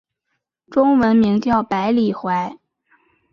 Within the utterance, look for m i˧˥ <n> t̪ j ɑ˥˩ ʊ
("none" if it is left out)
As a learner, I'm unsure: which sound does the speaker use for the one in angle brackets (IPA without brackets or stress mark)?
ŋ